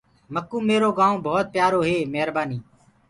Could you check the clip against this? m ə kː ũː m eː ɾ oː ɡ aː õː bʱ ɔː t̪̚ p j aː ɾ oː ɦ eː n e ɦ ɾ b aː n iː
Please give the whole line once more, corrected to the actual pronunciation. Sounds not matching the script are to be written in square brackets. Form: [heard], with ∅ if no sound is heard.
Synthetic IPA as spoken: m ə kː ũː m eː ɾ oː ɡ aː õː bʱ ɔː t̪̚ p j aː ɾ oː ɦ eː [m] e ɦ ɾ b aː n iː